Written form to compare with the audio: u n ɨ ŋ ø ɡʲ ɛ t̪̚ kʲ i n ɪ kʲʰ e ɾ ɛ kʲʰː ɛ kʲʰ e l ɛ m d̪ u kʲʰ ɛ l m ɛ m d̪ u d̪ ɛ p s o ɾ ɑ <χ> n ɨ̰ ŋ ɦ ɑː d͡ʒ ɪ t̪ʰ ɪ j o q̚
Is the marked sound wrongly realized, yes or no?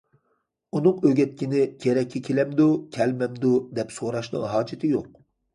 yes